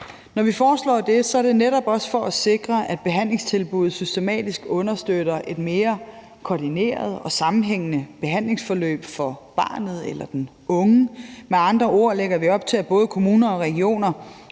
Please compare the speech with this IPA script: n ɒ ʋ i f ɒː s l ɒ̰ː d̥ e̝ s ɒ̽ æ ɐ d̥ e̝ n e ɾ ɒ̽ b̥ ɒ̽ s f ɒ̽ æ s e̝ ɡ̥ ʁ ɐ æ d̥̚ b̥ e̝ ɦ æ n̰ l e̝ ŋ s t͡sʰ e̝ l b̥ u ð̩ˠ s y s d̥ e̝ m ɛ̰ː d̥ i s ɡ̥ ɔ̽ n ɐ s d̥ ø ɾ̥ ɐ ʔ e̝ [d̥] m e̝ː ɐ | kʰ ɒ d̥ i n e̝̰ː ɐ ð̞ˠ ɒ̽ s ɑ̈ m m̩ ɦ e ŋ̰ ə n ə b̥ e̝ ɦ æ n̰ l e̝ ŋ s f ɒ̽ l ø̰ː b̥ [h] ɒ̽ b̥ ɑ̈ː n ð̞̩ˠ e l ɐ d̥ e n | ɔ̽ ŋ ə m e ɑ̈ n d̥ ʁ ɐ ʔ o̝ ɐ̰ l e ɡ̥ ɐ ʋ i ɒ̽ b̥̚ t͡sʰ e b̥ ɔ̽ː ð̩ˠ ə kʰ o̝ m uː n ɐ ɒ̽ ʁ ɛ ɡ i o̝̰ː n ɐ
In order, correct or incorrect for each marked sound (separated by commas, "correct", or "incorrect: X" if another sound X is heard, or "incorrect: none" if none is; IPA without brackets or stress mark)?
correct, incorrect: f